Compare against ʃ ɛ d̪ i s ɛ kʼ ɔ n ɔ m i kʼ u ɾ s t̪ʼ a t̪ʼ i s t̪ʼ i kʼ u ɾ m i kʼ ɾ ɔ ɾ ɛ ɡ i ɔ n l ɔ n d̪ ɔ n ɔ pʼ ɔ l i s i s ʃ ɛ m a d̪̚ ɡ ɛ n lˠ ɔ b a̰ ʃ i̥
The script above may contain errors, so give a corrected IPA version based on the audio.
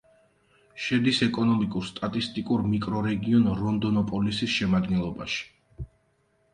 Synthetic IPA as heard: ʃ ɛ d̪ i s ɛ kʼ ɔ n ɔ m i kʼ u ɾ s t̪ʼ a t̪ʼ i s t̪ʼ i kʼ u ɾ m i kʼ ɾ ɔ ɾ ɛ ɡ i ɔ n ɾ ɔ n d̪ ɔ n ɔ pʼ ɔ l i s i s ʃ ɛ m a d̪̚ ɡ ɛ n lˠ ɔ b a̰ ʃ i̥